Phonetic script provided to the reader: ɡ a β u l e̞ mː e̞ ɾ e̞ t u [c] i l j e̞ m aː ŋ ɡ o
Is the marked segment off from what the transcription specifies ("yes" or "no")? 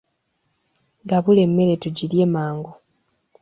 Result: yes